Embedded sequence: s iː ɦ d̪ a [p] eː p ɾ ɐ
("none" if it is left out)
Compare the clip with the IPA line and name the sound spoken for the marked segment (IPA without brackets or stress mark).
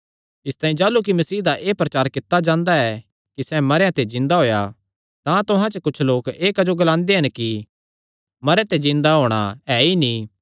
ʔ